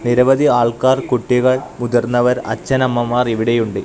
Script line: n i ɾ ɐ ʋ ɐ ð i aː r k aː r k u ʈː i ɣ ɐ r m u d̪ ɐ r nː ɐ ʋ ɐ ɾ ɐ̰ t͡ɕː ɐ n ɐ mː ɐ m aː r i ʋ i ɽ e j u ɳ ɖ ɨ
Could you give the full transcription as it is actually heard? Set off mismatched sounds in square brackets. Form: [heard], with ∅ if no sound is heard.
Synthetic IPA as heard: n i ɾ ɐ ʋ ɐ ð i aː [ɭ] k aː r k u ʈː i ɣ ɐ [ɭ] m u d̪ ɐ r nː ɐ ʋ ɐ ɾ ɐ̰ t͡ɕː ɐ n ɐ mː ɐ m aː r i ʋ i ɽ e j u ɳ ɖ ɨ